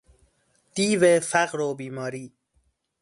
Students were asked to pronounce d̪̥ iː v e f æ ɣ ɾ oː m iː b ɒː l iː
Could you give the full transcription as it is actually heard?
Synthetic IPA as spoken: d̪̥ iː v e f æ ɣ ɾ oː b iː m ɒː ɾ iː